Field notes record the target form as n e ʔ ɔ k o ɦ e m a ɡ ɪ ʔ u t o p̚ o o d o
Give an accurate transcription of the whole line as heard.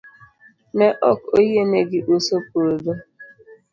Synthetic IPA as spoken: m e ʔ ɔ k o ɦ e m e ɡ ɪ ʔ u s o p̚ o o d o

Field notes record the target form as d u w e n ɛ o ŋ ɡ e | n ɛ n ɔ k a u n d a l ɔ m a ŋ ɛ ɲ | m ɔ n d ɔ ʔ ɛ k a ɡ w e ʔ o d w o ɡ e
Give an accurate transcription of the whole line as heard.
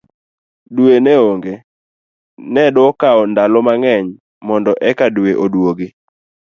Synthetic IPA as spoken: d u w e n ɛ o ŋ ɡ e | n ɛ d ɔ k a ɔ n d a l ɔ m a ŋ ɛ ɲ | m ɔ n d ɔ ʔ ɛ k a d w e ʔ o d w o ɡ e

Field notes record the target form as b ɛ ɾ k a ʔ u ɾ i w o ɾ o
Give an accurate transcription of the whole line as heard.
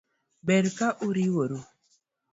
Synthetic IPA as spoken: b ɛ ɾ k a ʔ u ɾ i w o ɾ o

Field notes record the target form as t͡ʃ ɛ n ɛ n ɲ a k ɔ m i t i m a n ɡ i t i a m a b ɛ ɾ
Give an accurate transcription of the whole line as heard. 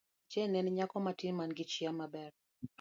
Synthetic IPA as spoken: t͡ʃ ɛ n ɛ n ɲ a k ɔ m a t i m a n ɡ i t͡ʃ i a m a b ɛ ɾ

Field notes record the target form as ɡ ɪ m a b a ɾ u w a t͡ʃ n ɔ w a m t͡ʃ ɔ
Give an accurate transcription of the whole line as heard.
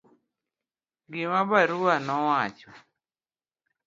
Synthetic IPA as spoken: ɡ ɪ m a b a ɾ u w a n ɔ w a t͡ʃ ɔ

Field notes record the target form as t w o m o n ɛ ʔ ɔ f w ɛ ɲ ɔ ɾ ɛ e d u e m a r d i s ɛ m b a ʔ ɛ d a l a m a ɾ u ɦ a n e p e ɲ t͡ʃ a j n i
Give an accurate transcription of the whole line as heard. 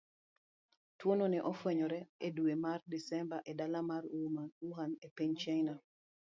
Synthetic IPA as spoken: t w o n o n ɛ ʔ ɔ f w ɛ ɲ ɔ ɾ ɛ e d u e m a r d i s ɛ m b a ʔ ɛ d a l a m a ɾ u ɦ a n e p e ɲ t͡ʃ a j n a

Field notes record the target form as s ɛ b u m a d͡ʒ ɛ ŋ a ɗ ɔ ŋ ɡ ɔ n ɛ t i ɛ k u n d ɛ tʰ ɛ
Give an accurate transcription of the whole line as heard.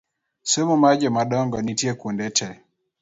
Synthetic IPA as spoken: s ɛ m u m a d͡ʒ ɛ m a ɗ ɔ ŋ ɡ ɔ n i t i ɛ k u n d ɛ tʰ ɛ

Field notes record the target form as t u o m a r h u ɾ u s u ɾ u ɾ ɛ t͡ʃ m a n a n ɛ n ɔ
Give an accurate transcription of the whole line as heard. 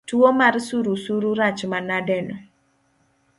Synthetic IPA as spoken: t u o m a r s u ɾ u s u ɾ u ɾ a t͡ʃ m a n a d ɛ n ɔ

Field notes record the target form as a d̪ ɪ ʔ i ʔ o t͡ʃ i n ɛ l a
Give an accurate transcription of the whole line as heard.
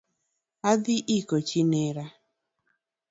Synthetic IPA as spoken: a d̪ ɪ ʔ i k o t͡ʃ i n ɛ ɾ a

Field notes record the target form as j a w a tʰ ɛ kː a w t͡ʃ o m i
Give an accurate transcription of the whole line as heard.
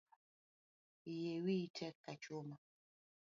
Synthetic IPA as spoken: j e w i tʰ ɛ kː a t͡ʃ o m a

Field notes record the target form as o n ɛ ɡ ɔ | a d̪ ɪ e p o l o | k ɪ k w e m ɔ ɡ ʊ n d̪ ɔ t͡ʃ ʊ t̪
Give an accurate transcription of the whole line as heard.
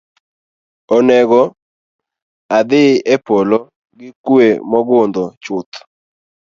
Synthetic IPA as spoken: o n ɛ ɡ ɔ | a d̪ ɪ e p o l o | ɡ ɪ k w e m ɔ ɡ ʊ n d̪ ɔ t͡ʃ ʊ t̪

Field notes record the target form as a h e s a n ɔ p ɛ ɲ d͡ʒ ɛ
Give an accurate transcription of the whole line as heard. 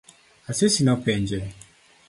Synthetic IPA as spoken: a s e s i n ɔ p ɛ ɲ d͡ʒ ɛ

